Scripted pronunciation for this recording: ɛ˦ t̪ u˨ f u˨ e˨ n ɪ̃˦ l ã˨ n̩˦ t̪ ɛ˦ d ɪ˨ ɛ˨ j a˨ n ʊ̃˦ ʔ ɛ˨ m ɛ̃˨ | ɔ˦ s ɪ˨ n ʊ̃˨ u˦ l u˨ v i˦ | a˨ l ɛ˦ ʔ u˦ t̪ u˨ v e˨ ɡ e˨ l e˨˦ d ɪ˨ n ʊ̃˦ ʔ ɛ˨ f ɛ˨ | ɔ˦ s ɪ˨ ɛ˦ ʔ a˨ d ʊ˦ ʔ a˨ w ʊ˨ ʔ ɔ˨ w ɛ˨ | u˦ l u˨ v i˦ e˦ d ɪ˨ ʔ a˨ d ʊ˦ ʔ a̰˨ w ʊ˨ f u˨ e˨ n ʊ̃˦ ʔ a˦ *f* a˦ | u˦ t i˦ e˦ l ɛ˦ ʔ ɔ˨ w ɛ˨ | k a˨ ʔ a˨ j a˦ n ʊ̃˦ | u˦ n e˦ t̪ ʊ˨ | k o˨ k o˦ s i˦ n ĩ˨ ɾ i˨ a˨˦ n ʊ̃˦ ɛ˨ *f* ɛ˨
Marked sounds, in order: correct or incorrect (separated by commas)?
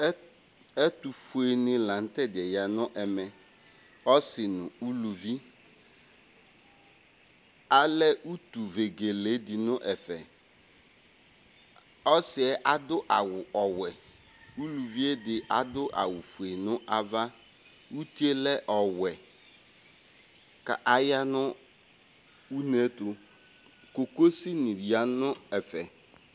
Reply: incorrect, correct